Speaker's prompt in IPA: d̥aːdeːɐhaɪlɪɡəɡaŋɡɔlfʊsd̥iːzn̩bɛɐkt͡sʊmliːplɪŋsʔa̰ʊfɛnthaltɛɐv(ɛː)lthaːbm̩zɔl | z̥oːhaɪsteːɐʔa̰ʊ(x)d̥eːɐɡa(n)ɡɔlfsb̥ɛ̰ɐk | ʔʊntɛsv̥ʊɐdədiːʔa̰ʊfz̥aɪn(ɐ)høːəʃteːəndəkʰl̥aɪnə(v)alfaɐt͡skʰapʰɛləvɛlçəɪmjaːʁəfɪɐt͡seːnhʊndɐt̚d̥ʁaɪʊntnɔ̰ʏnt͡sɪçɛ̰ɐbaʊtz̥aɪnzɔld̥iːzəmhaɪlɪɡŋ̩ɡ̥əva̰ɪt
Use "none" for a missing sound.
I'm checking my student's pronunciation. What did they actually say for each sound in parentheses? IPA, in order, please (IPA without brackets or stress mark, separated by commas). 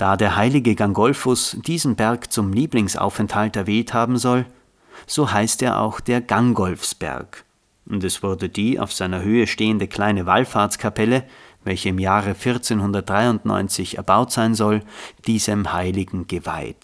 ɛː, x, ŋ, ɐ, v